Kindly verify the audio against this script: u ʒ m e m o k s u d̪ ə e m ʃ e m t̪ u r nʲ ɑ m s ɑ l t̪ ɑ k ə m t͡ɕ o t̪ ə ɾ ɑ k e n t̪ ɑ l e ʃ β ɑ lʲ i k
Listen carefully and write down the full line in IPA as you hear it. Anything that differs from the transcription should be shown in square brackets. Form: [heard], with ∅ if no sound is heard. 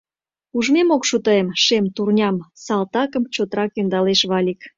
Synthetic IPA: u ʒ m e m o k [ʃ] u [t̪] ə e m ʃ e m t̪ u r nʲ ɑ m s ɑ l t̪ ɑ k ə m t͡ɕ o t̪ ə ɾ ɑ k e n [d̪] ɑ l e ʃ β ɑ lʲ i k